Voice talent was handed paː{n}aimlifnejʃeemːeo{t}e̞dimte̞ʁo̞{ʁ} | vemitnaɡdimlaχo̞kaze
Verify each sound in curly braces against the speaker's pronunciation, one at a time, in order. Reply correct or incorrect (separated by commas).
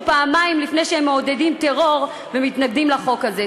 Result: incorrect, incorrect, correct